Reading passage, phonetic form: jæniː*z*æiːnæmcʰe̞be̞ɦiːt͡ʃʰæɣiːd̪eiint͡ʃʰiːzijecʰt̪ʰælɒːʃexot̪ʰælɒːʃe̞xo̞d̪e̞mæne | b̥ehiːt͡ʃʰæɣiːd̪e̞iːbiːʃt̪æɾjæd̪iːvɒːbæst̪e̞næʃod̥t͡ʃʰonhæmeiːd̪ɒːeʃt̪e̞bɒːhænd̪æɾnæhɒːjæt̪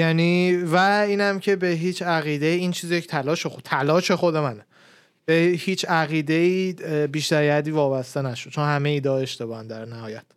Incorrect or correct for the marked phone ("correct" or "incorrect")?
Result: incorrect